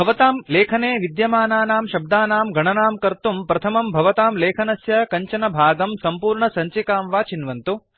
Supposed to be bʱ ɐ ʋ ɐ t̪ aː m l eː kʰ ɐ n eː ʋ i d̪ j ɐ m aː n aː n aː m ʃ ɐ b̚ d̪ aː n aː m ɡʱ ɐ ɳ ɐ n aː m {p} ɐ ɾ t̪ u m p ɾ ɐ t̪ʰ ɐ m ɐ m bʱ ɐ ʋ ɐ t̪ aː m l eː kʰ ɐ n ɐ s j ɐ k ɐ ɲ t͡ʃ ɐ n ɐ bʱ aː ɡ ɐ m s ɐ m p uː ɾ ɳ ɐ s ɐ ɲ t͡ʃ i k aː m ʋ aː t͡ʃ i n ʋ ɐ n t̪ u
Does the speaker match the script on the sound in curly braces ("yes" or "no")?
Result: no